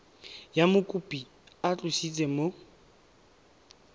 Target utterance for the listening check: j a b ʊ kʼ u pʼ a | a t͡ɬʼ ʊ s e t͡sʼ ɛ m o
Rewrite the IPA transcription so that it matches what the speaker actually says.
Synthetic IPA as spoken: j a m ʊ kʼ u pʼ i | a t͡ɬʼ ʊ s i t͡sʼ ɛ m o